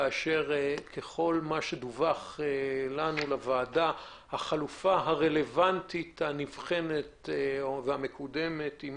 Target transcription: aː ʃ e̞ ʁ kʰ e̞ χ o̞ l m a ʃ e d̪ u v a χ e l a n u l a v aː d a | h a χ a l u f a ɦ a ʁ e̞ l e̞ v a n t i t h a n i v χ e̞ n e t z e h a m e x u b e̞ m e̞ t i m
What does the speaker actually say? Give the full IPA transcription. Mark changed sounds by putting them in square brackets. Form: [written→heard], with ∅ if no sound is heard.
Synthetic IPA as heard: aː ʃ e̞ ʁ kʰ e̞ χ o̞ l m a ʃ e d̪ u v a χ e l a n u l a v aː d a | h a χ a l u f a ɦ a ʁ e̞ l e̞ v a n t i t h a n i v χ e̞ n e t [z→v] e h a m e [x→k] u [b→d] e̞ m e̞ t i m